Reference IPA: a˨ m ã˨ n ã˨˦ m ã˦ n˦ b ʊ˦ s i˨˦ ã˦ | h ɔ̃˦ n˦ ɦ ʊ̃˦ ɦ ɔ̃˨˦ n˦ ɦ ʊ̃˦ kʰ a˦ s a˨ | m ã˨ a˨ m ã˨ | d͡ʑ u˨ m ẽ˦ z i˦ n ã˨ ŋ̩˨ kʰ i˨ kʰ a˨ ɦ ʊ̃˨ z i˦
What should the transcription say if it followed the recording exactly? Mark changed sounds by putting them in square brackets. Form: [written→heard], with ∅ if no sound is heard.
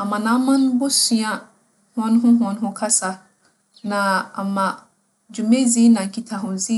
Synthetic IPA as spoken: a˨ m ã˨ n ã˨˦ m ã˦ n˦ b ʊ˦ s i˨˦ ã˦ | h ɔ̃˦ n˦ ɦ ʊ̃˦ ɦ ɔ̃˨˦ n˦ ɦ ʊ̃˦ kʰ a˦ s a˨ | [m→n] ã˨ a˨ m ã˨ | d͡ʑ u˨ m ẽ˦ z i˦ n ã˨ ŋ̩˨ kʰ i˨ [kʰ→tʰ] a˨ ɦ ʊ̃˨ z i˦